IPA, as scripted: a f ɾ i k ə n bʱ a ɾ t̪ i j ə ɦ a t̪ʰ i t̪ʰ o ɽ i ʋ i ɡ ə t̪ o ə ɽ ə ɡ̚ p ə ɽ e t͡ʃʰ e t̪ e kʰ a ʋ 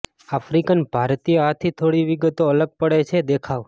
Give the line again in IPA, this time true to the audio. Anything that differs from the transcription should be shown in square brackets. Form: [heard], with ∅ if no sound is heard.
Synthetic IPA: a f ɾ i k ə n bʱ a ɾ t̪ i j ə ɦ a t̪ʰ i t̪ʰ o ɽ i ʋ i ɡ ə t̪ o ə [l] ə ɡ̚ p ə ɽ e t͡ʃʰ e [d̪] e kʰ a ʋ